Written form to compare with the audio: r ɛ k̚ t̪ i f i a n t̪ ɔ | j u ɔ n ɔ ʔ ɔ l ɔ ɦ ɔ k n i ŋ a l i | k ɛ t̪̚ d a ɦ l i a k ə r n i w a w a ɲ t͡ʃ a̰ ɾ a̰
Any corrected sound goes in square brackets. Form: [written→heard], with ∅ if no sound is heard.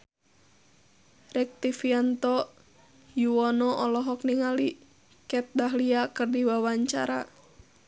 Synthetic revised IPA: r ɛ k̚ t̪ i f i a n t̪ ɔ | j u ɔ n ɔ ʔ ɔ l ɔ ɦ ɔ k n i ŋ a l i | k ɛ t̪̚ d a ɦ l i a k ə r [n→d] i w a w a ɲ t͡ʃ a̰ ɾ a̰

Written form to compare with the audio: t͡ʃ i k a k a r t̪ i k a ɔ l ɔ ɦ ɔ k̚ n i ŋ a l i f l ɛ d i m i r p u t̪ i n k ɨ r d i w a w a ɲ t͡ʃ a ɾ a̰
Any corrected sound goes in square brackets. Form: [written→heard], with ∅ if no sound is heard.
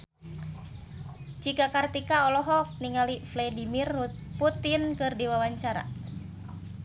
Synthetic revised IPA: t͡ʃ i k a k a r t̪ i k a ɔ l ɔ ɦ ɔ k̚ n i ŋ a l i f l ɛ d i m i r p u t̪ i n k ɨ r d i w a w a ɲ t͡ʃ a ɾ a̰

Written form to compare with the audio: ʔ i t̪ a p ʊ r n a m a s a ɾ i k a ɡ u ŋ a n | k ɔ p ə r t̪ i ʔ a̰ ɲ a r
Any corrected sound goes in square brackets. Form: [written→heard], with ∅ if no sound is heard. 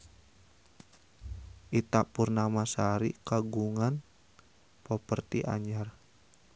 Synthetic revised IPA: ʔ i t̪ a p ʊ r n a m a s a ɾ i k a ɡ u ŋ a n | [k→p] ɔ p ə r t̪ i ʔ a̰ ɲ a r

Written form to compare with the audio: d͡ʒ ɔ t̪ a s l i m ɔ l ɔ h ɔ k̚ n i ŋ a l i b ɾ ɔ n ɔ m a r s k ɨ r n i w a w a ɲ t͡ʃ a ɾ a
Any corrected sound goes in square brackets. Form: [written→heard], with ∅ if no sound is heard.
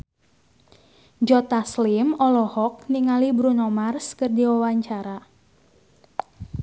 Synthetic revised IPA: d͡ʒ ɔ t̪ a s l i m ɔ l ɔ h ɔ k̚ n i ŋ a l i b ɾ [ɔ→u] n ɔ m a r s k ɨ r [n→d] i w a w a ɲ t͡ʃ a ɾ a

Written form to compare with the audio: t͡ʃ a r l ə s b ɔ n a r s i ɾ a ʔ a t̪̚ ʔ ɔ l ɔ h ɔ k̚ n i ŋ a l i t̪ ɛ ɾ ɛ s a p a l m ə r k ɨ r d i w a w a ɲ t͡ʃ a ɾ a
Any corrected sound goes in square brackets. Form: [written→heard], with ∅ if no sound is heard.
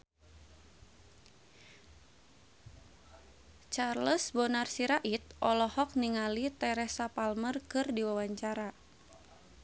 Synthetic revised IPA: t͡ʃ a r l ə s b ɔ n a r s i ɾ a ʔ [a→i] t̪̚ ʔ ɔ l ɔ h ɔ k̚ n i ŋ a l i t̪ ɛ ɾ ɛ s a p a l m ə r k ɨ r d i w a w a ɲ t͡ʃ a ɾ a

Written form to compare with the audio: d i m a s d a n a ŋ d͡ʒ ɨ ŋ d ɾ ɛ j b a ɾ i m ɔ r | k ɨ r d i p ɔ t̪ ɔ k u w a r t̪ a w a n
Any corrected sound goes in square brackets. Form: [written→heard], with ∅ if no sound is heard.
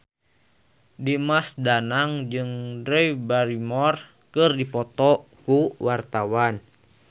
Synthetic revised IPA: d i m a s d a n a ŋ d͡ʒ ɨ ŋ d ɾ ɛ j b a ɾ i m ɔ r | k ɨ r d i p ɔ t̪ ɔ k u w a r t̪ a w a n

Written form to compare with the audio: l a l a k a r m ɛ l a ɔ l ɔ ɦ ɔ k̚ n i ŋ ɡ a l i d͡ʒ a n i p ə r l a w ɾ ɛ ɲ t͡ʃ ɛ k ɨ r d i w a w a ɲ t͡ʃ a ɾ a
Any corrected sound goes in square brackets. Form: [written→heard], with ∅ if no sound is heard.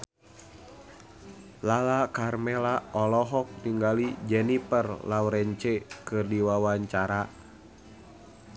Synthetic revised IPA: l a l a k a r m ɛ l a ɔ l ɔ ɦ ɔ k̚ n i ŋ ɡ a l i d͡ʒ [a→ɛ] n i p ə r l a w ɾ ɛ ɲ t͡ʃ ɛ k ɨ r d i w a w a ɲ t͡ʃ a ɾ a

